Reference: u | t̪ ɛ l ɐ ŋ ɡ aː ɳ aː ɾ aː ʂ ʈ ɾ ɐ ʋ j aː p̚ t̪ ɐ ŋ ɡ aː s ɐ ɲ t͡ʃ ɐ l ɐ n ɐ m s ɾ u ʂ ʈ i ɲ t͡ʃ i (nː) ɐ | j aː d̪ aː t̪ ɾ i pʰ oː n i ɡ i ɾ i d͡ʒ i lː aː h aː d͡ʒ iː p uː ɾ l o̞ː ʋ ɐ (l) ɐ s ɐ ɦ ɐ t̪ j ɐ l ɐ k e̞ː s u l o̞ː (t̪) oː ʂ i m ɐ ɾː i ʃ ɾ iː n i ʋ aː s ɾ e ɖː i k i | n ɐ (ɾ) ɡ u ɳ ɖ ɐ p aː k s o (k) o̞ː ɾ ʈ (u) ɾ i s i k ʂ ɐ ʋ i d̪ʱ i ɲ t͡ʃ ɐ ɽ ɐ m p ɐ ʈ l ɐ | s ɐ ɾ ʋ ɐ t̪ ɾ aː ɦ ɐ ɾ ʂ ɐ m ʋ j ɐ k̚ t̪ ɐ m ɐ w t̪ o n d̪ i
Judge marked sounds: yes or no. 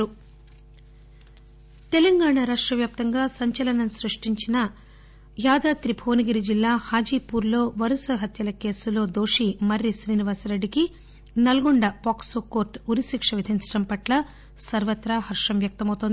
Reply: no, no, no, no, yes, yes

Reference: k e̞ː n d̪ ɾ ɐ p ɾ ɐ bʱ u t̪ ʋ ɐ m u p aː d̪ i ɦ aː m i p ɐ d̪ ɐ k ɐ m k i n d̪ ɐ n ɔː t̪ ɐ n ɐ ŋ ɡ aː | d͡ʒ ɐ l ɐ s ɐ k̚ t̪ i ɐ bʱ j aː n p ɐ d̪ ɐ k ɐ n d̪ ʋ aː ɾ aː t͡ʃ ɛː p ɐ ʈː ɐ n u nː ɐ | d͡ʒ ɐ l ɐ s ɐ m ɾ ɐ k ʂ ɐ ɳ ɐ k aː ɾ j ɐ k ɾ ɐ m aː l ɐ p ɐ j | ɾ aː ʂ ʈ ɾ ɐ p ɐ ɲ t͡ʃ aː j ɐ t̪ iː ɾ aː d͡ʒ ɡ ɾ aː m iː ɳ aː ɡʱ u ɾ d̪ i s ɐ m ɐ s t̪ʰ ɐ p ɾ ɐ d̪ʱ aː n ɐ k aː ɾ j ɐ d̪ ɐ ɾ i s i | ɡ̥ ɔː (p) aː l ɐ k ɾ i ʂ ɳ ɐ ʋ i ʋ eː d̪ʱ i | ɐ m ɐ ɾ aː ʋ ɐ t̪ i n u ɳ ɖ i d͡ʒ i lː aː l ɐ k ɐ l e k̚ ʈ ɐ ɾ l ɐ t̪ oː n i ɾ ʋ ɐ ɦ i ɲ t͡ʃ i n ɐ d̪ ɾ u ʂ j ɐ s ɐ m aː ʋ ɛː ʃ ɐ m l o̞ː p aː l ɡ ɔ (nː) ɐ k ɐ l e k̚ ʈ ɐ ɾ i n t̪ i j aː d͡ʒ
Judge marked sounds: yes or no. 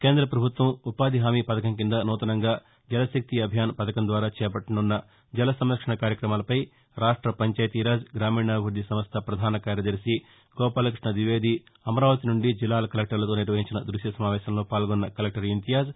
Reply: yes, yes

